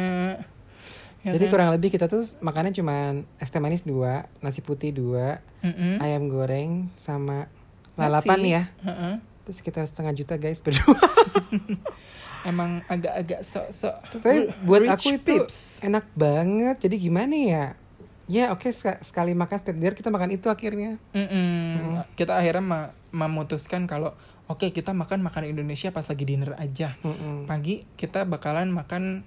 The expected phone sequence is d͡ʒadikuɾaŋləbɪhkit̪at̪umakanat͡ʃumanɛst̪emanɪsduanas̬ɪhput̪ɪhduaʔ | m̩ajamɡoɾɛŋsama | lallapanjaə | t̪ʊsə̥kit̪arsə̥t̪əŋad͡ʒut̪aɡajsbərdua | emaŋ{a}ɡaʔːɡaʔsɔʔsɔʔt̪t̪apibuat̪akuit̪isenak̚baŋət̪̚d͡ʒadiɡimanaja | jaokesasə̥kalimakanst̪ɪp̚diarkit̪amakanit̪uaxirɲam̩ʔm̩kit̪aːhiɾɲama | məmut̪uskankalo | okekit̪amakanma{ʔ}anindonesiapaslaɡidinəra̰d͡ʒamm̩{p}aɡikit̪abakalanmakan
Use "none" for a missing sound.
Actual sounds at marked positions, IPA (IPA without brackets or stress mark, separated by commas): a, k, p